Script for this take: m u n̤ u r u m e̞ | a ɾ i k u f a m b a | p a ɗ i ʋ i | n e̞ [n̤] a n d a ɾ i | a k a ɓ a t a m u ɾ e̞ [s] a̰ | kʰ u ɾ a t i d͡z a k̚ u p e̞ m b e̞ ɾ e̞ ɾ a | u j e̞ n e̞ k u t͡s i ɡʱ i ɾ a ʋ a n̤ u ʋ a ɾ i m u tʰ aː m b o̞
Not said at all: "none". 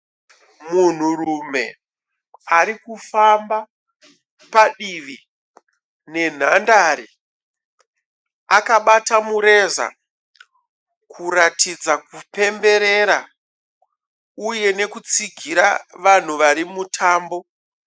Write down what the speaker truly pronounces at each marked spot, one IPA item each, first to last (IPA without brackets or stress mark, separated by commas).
n̤, z